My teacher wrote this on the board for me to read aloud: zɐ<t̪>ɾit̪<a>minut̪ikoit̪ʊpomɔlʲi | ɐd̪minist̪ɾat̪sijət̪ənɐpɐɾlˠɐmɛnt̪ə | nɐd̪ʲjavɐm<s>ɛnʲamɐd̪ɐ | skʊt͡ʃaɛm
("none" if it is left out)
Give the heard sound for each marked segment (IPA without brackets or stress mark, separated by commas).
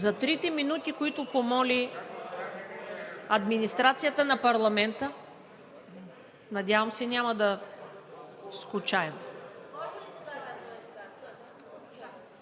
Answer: t̪, ɛ, s